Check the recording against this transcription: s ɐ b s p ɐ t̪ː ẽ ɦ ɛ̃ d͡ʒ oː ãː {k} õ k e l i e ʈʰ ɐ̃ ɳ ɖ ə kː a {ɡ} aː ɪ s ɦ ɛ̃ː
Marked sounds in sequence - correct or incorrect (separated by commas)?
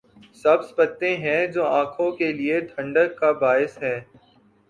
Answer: incorrect, incorrect